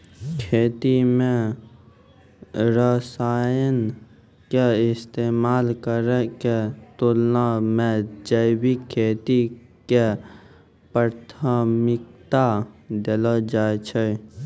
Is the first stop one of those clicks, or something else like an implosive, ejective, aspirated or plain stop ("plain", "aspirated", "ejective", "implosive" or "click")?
aspirated